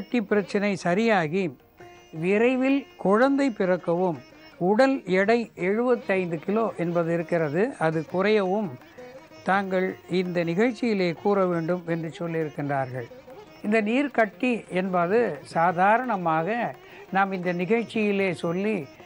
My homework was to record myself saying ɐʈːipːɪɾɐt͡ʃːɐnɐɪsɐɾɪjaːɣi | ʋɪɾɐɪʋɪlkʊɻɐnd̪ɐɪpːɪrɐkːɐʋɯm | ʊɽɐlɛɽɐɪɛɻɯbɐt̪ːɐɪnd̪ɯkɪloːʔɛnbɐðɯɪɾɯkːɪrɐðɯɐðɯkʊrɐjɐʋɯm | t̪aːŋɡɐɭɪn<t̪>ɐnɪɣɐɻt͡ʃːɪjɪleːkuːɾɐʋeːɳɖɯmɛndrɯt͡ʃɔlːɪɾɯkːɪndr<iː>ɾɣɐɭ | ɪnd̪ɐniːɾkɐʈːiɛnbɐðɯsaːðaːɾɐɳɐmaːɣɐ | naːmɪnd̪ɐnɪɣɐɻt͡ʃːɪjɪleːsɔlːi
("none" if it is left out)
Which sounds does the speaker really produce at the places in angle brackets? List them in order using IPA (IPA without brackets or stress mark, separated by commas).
d̪, aː